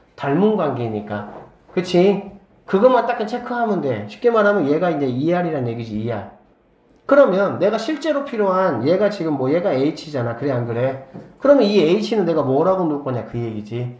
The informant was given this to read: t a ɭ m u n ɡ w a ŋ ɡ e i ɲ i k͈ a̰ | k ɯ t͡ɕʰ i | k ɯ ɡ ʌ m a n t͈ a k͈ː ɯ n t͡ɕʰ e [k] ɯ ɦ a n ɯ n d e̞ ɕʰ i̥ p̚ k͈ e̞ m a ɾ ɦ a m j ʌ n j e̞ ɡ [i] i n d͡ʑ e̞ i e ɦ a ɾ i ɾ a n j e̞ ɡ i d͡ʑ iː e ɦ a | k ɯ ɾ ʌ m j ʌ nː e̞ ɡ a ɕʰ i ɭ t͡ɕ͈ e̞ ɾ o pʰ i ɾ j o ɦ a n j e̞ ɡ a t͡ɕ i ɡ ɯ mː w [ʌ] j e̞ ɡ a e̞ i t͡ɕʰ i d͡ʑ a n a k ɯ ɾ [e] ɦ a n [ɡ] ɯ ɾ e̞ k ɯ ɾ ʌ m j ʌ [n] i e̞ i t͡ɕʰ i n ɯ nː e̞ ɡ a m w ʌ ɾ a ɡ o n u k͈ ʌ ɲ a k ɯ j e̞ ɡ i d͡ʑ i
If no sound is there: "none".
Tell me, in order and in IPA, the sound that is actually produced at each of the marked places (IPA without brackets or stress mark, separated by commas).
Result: kʰ, a, ʌ, e, ɡ, n